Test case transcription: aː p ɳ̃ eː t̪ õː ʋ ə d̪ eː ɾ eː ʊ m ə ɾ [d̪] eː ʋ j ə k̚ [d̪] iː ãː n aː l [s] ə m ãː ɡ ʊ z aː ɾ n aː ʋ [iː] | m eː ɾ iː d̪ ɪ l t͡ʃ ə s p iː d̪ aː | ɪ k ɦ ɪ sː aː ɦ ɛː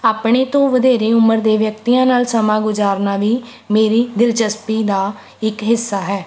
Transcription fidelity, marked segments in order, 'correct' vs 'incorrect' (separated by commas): correct, incorrect, correct, correct